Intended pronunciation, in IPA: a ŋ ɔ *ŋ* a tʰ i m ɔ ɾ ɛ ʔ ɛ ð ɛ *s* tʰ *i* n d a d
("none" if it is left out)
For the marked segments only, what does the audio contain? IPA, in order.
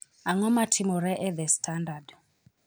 m, s, a

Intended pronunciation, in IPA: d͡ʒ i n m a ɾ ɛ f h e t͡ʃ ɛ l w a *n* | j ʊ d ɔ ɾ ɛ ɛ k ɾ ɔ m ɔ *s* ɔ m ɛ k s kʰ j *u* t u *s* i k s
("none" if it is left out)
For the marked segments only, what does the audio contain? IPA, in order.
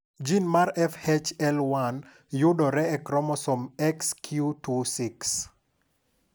n, s, u, s

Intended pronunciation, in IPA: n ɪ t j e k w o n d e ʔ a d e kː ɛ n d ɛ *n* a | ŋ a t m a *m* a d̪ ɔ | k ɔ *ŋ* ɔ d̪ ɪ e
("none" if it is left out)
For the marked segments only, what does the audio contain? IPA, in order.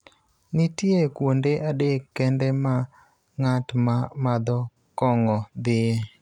m, m, ŋ

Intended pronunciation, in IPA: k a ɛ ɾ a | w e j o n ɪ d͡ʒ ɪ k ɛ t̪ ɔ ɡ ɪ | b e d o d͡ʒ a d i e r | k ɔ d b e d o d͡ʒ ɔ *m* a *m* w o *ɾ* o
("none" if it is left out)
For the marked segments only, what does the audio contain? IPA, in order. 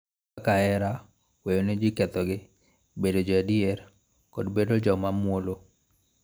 m, m, l

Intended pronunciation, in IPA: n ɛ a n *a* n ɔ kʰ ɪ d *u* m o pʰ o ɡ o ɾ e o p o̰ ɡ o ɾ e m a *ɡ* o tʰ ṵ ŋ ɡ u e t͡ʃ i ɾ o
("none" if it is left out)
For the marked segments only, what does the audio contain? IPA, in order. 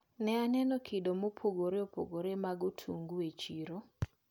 ɛ, o, ɡ

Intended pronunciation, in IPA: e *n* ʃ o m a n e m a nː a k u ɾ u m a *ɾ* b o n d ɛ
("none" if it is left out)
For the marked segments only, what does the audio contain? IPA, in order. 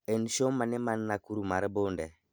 n, ɾ

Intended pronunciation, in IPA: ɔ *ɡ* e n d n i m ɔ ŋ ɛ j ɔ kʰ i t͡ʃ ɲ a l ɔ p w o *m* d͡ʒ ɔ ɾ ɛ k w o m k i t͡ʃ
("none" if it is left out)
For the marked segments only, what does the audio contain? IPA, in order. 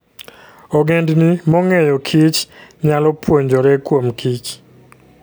ɡ, ɲ

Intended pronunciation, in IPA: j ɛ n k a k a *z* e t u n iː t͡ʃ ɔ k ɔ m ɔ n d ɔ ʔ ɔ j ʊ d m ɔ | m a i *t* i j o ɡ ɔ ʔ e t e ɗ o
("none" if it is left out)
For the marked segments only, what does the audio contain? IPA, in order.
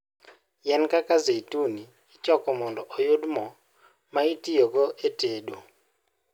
z, t

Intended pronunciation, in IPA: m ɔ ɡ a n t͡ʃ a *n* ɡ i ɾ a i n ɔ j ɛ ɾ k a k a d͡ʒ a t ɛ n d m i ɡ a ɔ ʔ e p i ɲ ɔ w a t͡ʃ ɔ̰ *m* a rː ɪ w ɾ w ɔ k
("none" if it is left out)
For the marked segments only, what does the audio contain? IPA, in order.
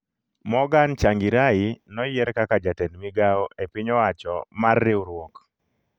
ŋ, m

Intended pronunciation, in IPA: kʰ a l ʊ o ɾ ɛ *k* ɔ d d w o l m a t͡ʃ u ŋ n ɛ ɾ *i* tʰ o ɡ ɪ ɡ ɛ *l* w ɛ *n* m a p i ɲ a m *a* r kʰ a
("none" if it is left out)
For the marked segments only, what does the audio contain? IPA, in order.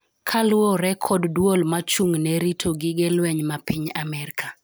kʰ, i, l, ɲ, ɛ

